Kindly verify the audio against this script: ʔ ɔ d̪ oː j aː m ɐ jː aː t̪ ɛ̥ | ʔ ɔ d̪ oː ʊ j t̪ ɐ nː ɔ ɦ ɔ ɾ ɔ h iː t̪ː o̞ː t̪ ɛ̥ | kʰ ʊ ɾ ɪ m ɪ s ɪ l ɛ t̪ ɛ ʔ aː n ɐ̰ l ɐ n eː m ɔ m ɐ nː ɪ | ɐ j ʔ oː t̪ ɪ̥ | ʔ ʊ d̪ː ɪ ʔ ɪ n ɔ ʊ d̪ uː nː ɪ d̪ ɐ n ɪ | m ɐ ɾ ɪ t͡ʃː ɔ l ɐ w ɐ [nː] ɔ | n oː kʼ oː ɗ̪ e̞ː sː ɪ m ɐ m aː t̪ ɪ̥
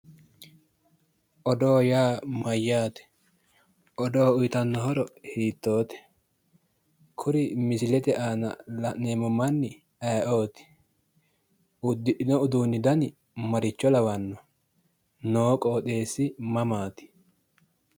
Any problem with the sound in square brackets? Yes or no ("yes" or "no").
no